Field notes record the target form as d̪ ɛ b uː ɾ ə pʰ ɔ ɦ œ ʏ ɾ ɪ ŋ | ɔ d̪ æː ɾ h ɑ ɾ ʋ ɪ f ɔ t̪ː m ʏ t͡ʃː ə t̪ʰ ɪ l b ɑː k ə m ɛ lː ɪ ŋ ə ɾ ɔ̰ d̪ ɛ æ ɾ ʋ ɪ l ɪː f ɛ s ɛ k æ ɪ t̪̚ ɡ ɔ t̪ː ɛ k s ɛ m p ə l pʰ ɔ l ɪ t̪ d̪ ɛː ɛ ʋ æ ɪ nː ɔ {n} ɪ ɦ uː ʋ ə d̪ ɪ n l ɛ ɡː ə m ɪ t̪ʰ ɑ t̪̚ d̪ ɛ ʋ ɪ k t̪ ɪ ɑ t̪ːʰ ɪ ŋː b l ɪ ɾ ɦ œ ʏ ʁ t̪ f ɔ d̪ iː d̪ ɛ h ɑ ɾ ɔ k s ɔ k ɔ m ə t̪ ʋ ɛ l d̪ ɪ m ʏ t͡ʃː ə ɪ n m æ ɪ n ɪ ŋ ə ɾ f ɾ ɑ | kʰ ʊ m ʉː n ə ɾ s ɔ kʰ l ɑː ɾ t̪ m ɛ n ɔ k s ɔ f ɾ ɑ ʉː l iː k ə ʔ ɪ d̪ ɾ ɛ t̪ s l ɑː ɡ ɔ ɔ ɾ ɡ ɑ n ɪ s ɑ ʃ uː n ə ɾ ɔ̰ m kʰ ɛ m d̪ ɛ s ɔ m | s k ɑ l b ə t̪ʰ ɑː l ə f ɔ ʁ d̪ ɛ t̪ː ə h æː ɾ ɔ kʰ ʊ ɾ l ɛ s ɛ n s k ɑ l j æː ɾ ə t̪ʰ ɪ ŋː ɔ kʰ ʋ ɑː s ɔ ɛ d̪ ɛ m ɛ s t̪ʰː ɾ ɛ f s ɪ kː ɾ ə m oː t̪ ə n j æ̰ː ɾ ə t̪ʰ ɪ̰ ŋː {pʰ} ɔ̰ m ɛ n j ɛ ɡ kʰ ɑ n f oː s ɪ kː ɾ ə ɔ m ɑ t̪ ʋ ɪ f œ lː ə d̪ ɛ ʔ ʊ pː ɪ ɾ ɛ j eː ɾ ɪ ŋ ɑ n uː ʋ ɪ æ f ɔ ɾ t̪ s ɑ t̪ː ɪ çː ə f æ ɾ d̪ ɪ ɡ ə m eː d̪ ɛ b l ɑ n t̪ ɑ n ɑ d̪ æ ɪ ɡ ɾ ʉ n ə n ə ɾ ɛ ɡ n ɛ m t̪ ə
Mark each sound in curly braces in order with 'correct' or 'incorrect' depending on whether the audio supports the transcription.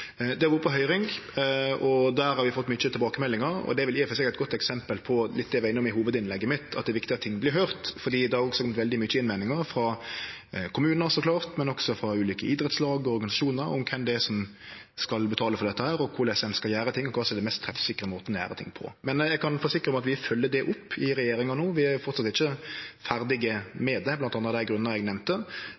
incorrect, correct

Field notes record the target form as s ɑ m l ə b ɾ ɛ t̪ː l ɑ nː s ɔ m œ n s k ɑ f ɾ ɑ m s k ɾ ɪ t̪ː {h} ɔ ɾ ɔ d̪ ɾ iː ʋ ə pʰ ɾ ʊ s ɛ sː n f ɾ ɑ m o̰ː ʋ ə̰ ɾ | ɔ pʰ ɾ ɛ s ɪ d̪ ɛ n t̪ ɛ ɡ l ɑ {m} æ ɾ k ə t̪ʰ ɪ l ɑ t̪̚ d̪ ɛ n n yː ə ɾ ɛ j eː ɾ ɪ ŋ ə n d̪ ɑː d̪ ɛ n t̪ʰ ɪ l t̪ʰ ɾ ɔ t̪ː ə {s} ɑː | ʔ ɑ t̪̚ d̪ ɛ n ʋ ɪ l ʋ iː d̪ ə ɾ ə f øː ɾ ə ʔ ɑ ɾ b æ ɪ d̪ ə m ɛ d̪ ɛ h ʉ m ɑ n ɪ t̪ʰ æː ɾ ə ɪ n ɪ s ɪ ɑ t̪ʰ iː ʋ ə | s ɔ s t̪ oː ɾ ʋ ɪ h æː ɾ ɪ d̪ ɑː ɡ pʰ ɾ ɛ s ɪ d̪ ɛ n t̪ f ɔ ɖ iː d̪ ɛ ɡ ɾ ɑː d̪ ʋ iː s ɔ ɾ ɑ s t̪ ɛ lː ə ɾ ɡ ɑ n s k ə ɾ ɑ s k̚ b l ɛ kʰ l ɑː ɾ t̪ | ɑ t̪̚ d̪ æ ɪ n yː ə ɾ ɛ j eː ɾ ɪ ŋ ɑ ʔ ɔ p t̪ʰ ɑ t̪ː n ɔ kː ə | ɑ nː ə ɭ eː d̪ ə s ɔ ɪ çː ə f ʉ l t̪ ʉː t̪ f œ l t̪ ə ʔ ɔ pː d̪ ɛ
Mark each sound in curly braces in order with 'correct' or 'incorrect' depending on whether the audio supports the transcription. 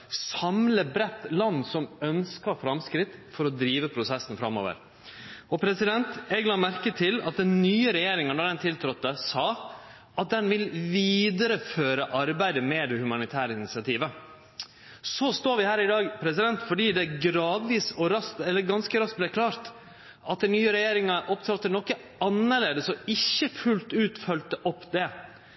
incorrect, correct, correct

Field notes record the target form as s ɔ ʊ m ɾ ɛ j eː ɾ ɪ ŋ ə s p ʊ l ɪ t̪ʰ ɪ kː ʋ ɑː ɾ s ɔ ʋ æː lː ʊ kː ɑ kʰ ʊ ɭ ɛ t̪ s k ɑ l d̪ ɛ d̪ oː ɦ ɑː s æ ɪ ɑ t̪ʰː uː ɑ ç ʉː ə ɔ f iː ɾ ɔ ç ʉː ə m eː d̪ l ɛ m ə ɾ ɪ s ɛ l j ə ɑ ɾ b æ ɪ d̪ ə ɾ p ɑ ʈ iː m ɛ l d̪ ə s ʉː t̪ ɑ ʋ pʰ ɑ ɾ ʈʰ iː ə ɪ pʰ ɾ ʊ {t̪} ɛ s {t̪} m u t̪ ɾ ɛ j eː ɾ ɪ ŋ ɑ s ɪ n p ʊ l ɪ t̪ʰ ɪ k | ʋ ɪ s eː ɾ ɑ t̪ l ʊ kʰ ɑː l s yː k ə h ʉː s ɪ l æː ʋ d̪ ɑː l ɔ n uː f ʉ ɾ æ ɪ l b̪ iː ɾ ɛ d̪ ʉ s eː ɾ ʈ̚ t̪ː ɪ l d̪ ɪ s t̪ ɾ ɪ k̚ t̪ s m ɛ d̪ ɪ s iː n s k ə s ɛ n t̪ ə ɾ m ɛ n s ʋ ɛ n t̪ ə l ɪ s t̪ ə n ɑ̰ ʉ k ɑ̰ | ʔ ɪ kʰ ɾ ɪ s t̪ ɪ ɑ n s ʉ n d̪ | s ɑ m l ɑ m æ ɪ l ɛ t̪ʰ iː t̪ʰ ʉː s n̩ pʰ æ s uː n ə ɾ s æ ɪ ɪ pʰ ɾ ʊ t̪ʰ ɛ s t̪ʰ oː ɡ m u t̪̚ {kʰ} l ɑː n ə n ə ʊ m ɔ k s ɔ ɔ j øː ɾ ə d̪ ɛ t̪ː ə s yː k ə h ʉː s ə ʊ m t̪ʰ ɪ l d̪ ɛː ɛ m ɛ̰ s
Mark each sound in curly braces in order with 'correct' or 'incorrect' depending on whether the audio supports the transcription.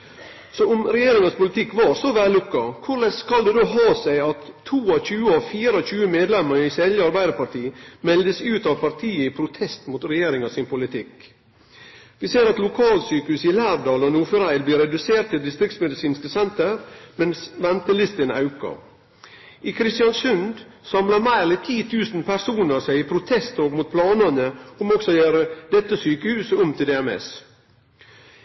incorrect, correct, incorrect

